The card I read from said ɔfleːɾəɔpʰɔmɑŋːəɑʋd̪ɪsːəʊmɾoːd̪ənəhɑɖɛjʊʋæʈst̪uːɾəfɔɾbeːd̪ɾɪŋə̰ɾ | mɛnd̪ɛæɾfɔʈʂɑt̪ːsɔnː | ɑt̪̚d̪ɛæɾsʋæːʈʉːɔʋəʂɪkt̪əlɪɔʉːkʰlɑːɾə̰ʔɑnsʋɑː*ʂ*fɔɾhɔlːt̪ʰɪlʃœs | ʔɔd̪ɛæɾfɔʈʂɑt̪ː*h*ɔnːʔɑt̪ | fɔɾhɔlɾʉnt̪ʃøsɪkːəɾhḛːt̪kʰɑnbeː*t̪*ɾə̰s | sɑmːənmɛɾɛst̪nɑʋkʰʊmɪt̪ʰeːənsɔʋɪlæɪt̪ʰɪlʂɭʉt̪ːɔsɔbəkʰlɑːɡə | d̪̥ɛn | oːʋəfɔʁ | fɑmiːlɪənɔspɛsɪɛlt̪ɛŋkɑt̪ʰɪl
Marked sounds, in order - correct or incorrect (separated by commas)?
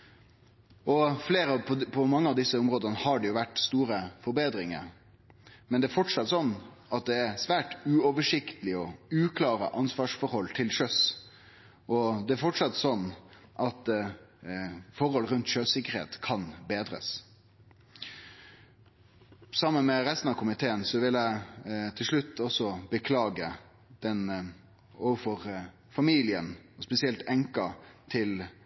correct, incorrect, incorrect